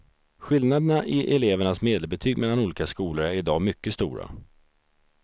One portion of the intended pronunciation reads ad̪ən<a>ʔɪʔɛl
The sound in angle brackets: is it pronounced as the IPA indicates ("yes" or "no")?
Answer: yes